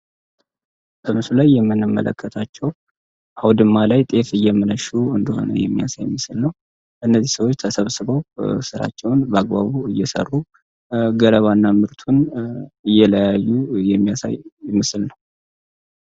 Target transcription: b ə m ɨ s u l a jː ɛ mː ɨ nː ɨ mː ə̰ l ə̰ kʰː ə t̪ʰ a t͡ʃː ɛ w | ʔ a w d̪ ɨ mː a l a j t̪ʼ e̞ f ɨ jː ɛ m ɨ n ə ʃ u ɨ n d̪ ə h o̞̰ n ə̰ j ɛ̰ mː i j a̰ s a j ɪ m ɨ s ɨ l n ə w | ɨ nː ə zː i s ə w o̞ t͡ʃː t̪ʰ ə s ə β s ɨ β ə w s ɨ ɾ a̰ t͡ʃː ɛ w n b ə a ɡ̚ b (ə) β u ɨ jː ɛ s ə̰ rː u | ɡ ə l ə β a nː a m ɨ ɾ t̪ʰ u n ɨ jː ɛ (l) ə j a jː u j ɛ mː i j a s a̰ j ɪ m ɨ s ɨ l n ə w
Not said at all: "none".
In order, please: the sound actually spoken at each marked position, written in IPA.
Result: a, l

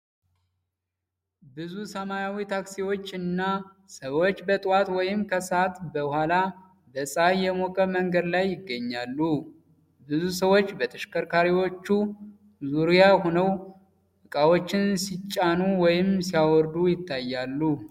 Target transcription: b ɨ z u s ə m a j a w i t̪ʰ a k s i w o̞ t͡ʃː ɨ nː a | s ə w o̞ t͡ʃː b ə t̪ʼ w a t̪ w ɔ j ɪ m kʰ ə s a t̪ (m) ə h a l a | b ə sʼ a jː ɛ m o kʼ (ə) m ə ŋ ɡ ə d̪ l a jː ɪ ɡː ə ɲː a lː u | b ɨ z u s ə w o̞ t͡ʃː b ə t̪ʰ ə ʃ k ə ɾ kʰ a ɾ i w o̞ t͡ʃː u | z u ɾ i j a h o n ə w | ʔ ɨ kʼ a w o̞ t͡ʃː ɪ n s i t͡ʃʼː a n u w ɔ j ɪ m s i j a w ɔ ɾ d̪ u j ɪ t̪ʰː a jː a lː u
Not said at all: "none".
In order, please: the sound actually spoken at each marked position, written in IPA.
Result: b, ə

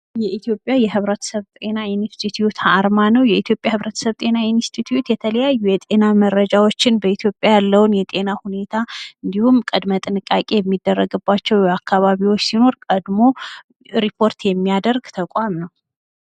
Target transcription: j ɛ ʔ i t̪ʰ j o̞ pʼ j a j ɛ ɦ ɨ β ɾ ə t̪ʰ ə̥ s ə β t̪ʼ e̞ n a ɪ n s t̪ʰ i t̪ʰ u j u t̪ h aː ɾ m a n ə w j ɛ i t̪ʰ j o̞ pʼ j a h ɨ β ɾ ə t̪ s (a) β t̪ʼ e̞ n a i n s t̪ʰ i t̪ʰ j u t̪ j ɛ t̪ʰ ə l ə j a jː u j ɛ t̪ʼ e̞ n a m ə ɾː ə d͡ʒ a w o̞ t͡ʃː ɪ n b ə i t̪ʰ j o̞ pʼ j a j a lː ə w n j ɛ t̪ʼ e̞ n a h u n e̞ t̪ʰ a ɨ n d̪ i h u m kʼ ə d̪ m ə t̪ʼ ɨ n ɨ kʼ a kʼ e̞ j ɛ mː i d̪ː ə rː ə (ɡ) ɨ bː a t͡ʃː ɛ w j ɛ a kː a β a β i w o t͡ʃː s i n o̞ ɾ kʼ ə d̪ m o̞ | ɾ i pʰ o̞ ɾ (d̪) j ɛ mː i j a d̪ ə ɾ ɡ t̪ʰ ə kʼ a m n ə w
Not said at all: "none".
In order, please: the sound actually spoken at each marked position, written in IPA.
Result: ə, ɡ, t̪

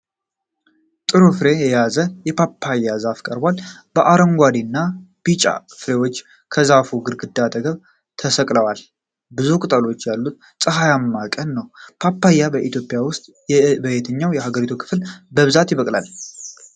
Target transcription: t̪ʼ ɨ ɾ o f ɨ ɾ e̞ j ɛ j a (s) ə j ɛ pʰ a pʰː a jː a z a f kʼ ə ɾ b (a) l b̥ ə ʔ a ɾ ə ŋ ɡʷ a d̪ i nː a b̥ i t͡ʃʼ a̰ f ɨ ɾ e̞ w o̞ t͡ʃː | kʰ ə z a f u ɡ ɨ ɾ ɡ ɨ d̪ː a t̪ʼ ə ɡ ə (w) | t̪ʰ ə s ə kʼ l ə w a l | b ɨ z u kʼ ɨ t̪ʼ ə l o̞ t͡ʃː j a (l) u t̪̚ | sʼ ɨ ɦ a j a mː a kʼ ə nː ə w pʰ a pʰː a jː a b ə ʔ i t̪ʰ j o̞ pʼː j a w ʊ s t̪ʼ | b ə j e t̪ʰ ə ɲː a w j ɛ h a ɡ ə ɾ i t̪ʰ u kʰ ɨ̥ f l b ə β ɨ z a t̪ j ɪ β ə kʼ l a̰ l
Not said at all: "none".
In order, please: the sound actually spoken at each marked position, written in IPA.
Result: z, a, β, lː

